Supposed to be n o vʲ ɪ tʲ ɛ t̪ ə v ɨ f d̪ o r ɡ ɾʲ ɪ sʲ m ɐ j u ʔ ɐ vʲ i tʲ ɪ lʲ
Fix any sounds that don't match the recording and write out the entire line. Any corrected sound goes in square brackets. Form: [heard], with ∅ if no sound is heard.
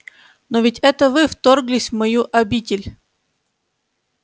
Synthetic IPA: n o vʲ ɪ tʲ ɛ t̪ ə v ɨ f [t̪] o r ɡ [lʲ] ɪ sʲ m ɐ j u ʔ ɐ [bʲ] i tʲ ɪ lʲ